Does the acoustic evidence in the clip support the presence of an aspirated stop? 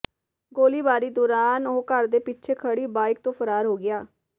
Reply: yes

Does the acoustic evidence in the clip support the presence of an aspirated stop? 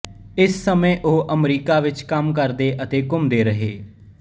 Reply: no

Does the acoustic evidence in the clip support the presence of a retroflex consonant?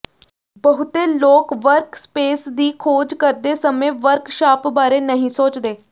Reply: no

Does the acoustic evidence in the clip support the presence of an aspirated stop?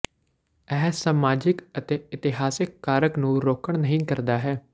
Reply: no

